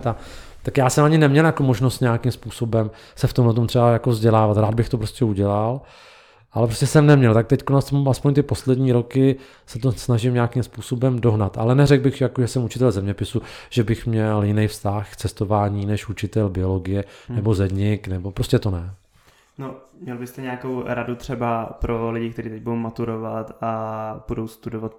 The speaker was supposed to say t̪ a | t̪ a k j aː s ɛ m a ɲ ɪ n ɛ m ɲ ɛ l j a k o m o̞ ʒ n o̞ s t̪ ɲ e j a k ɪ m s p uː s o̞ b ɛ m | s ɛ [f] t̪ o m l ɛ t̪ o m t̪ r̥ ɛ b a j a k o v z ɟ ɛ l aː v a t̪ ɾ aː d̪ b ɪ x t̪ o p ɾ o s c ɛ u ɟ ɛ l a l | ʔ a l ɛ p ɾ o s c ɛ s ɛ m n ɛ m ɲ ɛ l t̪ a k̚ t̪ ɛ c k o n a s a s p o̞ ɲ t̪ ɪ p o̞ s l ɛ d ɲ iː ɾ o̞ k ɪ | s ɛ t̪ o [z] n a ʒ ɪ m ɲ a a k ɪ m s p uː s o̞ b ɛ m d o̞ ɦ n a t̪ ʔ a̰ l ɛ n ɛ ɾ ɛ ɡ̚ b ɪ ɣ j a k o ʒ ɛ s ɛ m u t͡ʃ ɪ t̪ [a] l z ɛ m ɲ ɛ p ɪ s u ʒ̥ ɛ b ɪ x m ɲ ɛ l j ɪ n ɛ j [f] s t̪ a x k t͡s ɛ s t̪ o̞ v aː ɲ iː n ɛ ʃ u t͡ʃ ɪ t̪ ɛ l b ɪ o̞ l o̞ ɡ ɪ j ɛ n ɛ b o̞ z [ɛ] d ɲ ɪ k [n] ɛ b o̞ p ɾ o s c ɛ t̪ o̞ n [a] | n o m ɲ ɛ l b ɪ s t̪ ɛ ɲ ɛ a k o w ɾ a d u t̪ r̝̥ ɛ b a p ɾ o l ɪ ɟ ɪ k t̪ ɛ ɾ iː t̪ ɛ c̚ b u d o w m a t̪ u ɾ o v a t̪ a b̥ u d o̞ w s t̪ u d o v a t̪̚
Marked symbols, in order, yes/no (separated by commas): yes, no, no, yes, yes, yes, no